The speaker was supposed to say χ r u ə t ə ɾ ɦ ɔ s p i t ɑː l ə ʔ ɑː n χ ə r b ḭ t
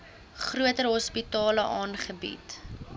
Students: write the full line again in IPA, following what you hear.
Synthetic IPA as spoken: χ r u ə t ə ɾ ɦ ɔ s p i t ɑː l ə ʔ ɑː n χ ə b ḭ t